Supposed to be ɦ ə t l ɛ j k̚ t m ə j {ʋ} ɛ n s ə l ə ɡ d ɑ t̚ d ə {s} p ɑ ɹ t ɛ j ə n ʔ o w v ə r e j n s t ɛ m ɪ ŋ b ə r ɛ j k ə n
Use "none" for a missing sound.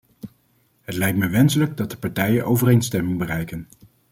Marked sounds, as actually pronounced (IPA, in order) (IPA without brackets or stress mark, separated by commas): ʋ, none